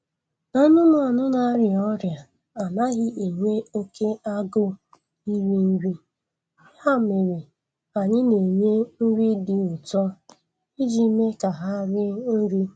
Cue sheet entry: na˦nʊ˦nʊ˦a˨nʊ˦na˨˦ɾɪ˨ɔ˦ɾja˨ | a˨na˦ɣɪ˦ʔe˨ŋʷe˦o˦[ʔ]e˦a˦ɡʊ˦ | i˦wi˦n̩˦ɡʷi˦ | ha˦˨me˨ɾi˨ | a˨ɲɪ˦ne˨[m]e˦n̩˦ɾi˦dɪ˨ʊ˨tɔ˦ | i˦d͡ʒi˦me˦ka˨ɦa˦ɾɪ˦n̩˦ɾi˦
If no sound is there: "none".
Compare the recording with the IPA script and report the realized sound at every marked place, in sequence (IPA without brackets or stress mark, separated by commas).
k, ɲ